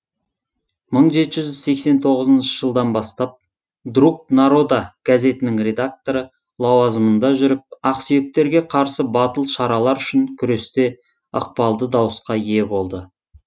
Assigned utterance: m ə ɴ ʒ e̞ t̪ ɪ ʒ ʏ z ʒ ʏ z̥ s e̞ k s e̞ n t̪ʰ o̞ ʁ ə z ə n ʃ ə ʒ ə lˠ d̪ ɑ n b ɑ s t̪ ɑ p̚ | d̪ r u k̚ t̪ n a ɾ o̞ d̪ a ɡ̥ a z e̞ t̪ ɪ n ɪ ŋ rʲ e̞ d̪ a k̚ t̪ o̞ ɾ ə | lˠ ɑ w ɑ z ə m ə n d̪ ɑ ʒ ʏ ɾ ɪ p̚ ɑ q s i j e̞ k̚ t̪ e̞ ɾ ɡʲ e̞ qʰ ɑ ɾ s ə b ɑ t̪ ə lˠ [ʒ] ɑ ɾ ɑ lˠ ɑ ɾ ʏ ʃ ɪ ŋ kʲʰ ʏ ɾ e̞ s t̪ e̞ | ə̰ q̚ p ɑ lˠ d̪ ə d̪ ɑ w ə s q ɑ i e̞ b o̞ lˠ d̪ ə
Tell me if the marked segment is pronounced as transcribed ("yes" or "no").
no